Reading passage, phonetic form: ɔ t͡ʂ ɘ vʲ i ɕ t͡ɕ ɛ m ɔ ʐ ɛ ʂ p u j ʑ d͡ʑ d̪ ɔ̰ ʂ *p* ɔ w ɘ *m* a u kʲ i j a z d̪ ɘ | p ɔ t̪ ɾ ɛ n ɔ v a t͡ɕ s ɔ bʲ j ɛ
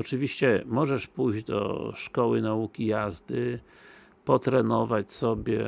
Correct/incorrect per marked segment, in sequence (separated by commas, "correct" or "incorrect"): incorrect, incorrect